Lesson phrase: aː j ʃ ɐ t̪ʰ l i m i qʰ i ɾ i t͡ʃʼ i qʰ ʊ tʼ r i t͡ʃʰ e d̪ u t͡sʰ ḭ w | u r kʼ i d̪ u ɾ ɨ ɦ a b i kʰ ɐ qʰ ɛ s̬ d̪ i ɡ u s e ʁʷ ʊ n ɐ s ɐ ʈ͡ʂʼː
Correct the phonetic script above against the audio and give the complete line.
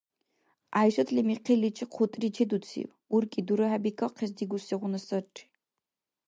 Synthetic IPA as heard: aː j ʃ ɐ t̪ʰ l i m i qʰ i l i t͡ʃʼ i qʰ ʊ tʼ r i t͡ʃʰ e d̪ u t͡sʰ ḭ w | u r kʼ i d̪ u ɾ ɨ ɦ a b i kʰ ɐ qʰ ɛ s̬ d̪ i ɡ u s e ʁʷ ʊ n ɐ s ɐ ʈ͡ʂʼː